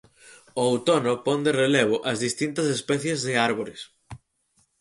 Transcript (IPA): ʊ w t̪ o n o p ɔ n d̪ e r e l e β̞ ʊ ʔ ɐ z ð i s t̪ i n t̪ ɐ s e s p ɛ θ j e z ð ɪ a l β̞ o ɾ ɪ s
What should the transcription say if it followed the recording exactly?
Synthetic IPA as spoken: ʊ w t̪ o n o p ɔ n d̪ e r e l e β̞ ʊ ʔ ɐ z ð i s t̪ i n t̪ ɐ s e s p ɛ θ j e z ð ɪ a ɾ β̞ o ɾ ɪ s